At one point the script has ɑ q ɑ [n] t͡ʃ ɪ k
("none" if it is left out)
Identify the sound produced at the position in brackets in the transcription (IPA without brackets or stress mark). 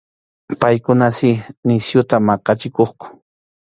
none